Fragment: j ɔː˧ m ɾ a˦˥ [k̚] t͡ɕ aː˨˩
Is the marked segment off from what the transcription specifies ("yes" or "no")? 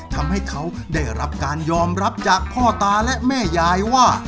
yes